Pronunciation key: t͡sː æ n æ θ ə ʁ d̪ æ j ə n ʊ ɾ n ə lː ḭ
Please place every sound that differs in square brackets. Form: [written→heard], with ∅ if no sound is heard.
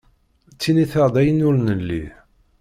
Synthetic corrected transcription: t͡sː [æ→i] n [æ→i] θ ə ʁ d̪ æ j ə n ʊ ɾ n ə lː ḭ